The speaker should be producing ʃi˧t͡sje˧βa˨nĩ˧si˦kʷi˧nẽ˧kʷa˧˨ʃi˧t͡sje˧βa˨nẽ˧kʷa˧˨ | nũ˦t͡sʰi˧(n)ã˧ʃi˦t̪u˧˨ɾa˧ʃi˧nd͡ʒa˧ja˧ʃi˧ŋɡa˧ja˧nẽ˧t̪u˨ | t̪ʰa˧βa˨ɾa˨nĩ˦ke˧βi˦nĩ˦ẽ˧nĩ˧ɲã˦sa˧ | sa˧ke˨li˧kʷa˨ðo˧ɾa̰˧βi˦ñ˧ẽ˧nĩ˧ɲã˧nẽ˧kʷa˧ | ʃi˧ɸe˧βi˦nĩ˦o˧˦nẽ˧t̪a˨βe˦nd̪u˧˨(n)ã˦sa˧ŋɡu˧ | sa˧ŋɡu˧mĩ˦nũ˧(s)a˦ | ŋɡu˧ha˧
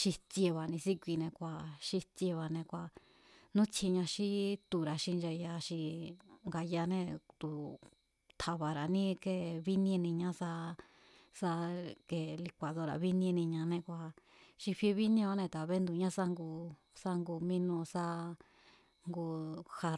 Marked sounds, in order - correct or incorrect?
incorrect: ɲ, incorrect: ɲ, correct

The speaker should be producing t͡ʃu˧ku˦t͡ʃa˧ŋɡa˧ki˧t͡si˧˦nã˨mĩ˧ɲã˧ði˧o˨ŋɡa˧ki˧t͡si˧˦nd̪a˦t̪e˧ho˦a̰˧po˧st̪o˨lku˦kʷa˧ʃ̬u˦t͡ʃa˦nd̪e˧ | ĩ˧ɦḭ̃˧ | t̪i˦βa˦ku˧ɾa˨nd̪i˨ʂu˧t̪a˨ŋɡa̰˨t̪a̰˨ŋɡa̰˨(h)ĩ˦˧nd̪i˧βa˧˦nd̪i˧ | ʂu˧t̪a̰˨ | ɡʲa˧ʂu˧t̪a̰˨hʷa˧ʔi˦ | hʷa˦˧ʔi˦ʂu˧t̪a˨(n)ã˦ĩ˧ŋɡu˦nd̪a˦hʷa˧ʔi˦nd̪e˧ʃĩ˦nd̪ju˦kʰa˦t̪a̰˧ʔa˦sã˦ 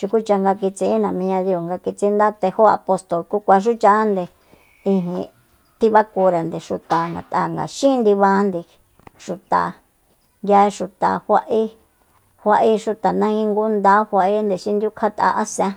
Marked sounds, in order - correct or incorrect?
incorrect: ʃ, correct

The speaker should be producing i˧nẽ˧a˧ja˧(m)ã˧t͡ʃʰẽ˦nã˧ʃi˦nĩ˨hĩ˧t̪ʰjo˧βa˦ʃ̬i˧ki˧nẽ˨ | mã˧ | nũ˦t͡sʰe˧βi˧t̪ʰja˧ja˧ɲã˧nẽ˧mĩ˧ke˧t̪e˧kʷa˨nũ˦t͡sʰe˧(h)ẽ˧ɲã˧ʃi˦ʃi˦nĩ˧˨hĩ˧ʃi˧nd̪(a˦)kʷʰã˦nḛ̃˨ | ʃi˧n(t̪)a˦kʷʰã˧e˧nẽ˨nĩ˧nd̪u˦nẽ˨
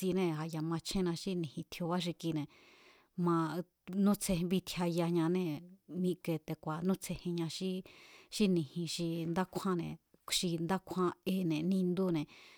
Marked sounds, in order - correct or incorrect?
correct, correct, correct, incorrect: d̪

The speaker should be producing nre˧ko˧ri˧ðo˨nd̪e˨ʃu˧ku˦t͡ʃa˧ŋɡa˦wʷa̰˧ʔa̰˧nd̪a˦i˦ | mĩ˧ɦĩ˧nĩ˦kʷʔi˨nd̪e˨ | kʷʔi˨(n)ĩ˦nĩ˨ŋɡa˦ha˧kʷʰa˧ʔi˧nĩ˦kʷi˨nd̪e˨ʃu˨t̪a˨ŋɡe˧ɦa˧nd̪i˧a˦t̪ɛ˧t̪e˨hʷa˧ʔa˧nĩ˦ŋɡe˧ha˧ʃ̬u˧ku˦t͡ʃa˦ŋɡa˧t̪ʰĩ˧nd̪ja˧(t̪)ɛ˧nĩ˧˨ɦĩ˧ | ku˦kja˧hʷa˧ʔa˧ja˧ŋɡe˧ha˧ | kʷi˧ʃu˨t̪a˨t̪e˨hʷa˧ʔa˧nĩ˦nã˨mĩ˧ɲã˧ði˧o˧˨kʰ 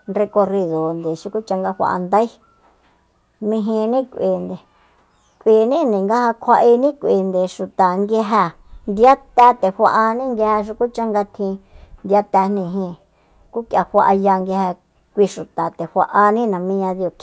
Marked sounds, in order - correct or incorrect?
correct, correct

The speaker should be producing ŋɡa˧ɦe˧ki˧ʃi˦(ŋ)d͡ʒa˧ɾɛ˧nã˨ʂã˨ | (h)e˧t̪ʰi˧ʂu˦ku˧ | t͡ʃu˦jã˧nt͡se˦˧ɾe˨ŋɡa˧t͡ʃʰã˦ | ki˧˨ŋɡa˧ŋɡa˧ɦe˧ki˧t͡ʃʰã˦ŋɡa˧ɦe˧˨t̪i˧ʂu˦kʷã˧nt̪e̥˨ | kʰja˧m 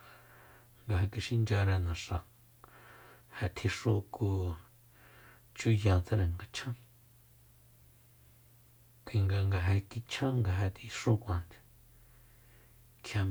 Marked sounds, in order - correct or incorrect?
incorrect: n, correct

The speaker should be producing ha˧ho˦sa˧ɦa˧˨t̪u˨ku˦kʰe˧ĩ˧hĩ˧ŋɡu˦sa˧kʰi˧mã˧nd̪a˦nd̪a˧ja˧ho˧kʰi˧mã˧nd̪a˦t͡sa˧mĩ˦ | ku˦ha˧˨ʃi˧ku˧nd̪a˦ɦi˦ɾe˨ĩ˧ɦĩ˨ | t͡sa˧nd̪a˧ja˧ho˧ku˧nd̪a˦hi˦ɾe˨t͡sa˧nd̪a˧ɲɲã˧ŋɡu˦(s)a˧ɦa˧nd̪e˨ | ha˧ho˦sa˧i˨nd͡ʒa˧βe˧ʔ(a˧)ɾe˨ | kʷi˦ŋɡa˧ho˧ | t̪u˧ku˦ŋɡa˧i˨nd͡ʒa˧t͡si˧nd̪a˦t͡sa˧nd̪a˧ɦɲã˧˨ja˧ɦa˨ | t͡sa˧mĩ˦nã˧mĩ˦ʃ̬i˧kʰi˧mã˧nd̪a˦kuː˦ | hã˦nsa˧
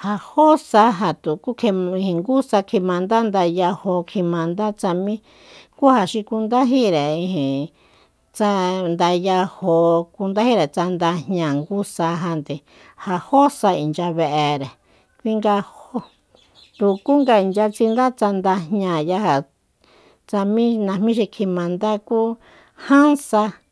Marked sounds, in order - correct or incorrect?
correct, incorrect: e˧

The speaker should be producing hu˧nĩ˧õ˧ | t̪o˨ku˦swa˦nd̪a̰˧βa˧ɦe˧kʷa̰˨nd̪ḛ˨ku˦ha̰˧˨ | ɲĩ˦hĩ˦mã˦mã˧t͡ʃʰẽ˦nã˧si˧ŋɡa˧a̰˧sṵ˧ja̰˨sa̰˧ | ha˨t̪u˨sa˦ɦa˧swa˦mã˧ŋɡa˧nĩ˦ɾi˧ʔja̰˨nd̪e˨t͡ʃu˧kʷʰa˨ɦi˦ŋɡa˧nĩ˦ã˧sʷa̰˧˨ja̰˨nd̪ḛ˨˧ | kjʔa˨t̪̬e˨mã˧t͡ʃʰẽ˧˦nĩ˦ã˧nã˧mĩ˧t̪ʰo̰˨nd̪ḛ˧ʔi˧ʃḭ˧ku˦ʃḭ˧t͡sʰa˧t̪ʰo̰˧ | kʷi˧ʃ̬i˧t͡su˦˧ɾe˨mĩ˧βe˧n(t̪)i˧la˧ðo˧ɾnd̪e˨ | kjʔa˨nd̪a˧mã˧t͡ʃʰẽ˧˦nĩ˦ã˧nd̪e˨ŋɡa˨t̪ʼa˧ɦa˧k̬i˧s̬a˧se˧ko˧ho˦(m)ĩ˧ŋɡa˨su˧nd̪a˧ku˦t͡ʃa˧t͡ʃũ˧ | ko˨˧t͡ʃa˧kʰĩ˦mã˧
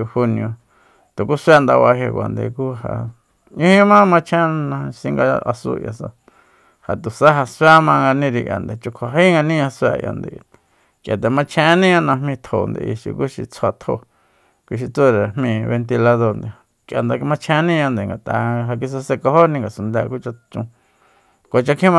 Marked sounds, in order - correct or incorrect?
correct, incorrect: n

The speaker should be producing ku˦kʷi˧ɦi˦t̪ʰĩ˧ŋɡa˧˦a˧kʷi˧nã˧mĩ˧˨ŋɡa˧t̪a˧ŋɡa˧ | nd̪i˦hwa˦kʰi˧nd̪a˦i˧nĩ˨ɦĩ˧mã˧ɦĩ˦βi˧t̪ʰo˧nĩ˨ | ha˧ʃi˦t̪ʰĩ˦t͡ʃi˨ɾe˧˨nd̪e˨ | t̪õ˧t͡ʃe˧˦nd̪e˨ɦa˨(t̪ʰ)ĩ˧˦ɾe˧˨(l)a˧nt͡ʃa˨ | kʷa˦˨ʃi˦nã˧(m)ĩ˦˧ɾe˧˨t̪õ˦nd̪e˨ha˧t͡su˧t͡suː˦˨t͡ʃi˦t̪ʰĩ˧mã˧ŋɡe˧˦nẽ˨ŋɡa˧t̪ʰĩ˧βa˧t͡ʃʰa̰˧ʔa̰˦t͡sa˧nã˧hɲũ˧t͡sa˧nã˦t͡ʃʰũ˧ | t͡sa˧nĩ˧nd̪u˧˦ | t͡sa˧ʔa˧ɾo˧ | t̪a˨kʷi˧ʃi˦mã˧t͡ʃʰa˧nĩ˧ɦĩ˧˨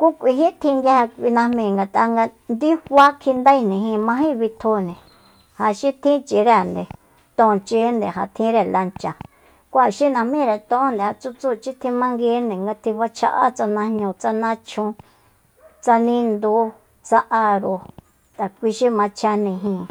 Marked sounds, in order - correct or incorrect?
correct, correct, correct

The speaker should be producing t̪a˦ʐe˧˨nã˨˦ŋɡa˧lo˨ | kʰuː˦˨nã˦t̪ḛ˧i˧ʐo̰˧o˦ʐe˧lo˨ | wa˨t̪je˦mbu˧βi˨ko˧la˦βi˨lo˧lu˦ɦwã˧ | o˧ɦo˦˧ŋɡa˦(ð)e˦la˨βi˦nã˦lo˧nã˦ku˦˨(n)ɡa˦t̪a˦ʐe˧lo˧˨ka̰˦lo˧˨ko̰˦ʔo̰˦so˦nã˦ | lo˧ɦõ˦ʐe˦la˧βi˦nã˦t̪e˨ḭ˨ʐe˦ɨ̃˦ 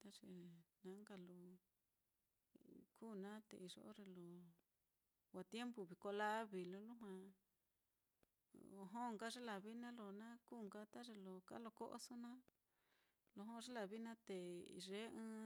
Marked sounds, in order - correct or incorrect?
incorrect: ʐ, incorrect: ŋ

